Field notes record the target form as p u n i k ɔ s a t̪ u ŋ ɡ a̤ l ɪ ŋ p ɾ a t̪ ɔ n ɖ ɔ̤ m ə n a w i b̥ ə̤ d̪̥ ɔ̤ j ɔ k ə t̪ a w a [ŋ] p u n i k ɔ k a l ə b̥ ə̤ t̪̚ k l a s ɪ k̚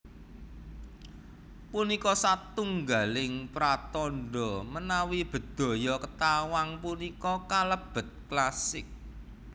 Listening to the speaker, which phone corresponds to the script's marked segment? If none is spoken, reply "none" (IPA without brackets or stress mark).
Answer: ŋ